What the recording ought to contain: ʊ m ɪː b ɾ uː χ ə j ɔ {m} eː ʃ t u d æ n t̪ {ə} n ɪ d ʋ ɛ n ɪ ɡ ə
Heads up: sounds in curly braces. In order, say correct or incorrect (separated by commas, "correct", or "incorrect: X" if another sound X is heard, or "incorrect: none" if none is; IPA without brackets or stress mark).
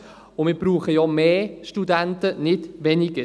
correct, correct